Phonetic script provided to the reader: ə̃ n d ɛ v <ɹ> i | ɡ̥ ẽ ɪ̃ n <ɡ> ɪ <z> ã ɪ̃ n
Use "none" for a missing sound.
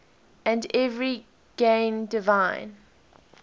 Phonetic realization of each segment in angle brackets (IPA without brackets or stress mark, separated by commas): ɹ, d, v